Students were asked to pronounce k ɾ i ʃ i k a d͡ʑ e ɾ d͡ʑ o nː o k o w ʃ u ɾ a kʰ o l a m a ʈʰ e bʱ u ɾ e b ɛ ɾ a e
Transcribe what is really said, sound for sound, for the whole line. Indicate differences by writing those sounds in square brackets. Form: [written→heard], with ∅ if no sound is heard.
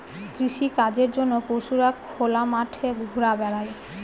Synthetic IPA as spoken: k ɾ i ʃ i k a d͡ʑ e ɾ d͡ʑ o nː o [k→p] o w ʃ u ɾ a kʰ o l a m a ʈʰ e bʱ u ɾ [e→a] b ɛ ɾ a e